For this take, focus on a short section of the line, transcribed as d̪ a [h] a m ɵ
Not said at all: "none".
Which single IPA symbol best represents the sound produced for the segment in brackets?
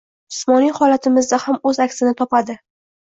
h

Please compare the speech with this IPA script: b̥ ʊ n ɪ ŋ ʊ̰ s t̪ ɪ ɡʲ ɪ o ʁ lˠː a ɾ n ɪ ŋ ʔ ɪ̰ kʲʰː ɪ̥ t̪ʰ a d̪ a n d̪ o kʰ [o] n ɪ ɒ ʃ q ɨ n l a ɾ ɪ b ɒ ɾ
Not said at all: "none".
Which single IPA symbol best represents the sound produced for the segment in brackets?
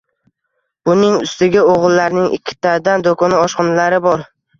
ɒ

